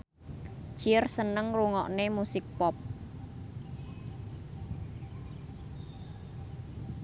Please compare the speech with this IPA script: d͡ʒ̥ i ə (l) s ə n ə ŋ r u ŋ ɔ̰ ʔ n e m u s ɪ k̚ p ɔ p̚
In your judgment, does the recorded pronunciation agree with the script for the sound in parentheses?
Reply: no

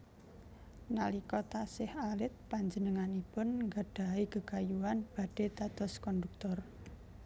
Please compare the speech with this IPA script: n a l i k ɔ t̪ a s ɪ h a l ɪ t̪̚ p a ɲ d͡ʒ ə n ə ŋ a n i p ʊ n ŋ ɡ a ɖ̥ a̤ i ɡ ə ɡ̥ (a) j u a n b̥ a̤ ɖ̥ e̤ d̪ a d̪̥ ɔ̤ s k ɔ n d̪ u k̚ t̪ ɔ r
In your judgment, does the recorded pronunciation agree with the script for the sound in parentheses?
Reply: yes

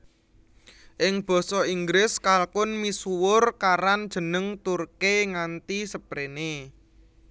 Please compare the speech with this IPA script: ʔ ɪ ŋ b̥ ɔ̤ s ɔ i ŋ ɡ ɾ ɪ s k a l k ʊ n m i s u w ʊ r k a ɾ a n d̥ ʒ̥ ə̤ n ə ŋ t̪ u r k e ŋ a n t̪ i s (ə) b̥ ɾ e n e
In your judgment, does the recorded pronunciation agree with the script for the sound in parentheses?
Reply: yes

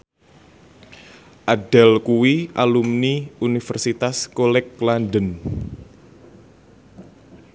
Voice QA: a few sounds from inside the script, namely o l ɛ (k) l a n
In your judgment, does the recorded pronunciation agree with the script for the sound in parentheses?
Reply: yes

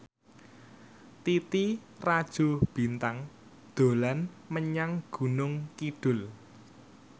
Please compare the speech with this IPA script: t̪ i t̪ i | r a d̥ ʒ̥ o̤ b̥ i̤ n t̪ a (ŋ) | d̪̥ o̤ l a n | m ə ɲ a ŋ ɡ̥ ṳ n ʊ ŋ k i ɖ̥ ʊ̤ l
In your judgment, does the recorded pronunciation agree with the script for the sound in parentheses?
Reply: yes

